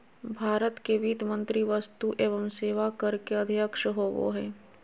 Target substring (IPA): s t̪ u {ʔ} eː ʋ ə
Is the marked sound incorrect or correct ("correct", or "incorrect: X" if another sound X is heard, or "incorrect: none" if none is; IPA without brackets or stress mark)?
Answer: correct